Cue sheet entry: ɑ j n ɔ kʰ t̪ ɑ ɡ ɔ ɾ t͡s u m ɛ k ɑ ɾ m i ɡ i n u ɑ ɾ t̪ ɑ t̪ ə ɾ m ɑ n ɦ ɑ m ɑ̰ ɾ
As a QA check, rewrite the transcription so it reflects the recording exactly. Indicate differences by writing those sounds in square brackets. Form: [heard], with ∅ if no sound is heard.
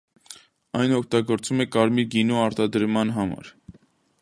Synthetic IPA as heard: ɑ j n ɔ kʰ t̪ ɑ ɡ ɔ ɾ t͡s u m ɛ k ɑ ɾ m i ɡ i n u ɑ ɾ t̪ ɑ [d̪] ə ɾ m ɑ n ɦ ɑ m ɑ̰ ɾ